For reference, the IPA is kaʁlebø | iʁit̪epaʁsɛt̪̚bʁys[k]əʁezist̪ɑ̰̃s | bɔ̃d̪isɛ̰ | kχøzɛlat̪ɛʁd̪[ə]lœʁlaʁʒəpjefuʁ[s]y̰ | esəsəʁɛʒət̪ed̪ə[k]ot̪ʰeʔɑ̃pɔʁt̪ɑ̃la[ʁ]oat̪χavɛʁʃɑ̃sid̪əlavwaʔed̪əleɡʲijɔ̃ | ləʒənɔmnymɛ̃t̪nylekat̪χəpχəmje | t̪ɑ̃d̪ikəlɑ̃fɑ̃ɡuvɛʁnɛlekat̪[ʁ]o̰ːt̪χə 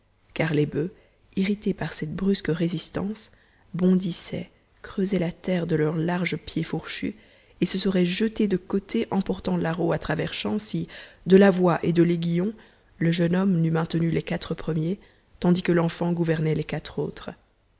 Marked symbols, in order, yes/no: yes, yes, no, yes, yes, no

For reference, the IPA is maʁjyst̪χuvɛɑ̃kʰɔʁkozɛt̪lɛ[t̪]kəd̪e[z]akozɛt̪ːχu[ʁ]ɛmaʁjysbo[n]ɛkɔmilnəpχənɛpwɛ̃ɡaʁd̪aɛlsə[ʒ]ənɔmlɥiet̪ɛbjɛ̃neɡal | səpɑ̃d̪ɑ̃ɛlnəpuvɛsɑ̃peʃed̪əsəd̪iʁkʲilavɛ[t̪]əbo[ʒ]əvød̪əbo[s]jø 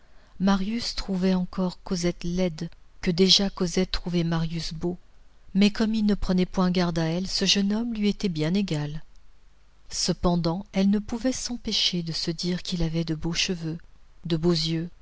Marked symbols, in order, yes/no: no, no, no, no, yes, no, no, no

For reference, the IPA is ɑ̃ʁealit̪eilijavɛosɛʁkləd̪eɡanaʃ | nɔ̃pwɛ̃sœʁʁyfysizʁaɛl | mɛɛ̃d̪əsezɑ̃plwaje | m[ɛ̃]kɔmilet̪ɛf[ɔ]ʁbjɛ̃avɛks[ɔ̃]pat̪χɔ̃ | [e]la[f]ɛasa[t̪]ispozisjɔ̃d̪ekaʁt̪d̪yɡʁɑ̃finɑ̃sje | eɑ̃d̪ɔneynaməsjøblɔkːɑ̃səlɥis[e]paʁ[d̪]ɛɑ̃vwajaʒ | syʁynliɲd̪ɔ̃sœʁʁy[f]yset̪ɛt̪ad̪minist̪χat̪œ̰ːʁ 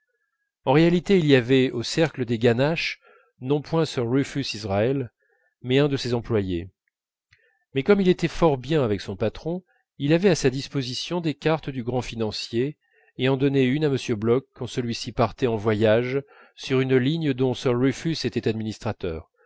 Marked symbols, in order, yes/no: no, yes, yes, no, no, no, no, no, yes

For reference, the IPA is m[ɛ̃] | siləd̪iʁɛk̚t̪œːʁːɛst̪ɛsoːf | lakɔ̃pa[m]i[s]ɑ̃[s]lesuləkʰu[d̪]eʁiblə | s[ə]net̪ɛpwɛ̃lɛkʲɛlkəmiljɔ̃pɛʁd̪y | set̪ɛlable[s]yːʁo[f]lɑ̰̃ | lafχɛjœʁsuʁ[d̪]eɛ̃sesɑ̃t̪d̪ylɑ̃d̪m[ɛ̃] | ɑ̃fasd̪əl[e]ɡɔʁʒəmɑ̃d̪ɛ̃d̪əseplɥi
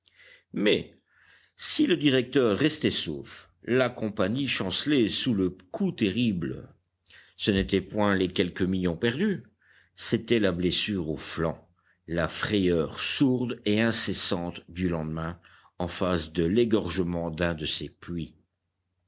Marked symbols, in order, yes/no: no, no, no, yes, no, yes, yes, yes, yes, yes, yes

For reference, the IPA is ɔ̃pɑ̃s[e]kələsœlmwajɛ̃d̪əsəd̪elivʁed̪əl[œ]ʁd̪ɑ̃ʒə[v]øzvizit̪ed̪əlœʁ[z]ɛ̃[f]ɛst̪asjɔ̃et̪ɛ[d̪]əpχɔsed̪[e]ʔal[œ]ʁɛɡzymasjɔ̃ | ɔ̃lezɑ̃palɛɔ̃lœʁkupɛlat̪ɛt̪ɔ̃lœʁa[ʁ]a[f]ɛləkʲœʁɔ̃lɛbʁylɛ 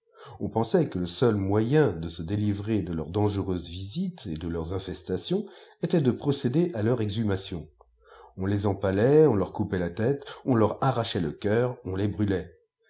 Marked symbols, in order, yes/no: no, yes, no, yes, yes, yes, yes, yes, yes, no

